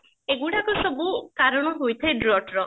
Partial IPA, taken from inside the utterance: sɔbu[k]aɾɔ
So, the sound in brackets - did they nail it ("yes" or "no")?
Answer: yes